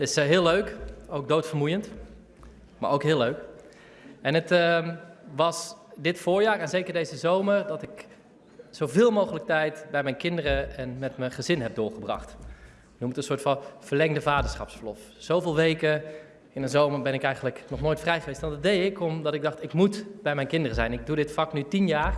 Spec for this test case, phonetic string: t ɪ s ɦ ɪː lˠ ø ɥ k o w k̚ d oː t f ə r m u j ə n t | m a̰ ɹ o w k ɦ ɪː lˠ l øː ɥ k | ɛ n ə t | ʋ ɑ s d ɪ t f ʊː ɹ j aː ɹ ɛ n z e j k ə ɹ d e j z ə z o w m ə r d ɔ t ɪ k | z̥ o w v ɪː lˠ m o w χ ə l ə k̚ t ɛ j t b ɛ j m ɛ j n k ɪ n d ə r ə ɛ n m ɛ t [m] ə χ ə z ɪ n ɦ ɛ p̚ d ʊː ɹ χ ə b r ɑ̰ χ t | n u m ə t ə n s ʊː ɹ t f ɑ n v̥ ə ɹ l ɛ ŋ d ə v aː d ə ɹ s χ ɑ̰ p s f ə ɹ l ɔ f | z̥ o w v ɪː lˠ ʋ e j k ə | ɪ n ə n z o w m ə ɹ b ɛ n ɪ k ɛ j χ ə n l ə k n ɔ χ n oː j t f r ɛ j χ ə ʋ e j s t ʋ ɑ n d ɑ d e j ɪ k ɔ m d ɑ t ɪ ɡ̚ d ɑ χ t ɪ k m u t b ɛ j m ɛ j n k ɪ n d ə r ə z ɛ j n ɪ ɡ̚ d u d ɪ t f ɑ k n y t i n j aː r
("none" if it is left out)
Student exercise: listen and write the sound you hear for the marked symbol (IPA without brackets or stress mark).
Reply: m